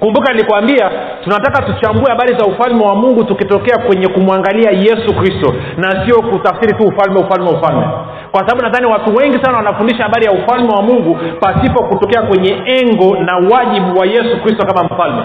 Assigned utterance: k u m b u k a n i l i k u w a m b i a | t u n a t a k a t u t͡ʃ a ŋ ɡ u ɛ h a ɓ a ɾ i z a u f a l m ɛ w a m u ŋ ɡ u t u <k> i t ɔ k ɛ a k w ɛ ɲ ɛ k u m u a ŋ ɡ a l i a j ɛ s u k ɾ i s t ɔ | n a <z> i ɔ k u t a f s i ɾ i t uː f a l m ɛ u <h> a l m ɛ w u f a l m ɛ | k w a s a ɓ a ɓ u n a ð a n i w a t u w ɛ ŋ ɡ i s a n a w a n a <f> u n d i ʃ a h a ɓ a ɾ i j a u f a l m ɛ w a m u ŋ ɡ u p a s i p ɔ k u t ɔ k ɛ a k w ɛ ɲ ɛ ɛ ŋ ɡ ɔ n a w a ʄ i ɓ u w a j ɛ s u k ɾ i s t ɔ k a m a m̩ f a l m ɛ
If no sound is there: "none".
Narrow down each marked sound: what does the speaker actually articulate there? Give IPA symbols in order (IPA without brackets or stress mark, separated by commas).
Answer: k, s, f, f